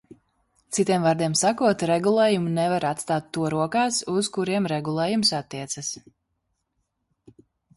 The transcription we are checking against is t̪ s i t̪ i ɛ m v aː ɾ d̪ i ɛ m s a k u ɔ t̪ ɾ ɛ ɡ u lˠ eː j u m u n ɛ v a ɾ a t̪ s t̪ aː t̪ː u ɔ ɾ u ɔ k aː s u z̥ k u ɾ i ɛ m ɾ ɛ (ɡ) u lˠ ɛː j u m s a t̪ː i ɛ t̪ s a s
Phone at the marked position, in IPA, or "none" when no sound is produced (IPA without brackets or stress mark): ɡ